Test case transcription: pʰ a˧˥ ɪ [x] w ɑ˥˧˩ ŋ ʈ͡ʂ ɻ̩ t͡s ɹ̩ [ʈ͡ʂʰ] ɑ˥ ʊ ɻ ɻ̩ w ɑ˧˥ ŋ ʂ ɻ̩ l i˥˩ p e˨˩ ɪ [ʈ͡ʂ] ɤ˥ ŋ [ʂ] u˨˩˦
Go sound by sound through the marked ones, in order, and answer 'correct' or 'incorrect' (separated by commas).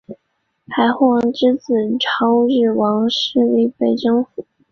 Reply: correct, correct, correct, incorrect